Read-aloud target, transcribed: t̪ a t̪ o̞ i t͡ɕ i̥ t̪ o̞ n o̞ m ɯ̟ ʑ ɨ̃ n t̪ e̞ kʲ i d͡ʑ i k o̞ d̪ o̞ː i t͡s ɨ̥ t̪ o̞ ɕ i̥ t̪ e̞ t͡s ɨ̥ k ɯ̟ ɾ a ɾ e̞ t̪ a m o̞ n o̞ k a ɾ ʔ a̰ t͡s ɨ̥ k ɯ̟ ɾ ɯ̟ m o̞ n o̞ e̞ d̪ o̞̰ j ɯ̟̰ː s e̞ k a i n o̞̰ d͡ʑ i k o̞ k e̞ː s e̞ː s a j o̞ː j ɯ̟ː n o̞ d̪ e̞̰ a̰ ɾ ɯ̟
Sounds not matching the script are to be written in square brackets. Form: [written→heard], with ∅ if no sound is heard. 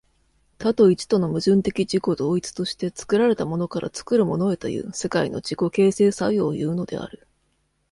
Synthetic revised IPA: t̪ a t̪ o̞ i t͡ɕ i̥ t̪ o̞ n o̞ m ɯ̟ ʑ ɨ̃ n t̪ e̞ kʲ i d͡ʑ i k o̞ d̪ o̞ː i t͡s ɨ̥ t̪ o̞ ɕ i̥ t̪ e̞ t͡s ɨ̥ k ɯ̟ ɾ a ɾ e̞ t̪ a m o̞ n o̞ k a ɾ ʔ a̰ t͡s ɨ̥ k ɯ̟ ɾ ɯ̟ m o̞ n o̞ e̞ [d̪→t̪] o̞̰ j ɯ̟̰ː s e̞ k a i n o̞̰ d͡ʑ i k o̞ k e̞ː s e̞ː s a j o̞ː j ɯ̟ː n o̞ d̪ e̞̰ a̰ ɾ ɯ̟